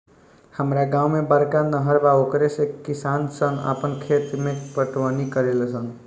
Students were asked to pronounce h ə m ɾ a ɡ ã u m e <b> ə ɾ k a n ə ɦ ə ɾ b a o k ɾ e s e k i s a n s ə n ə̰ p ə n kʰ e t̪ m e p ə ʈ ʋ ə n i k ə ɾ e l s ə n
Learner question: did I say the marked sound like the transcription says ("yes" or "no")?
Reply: yes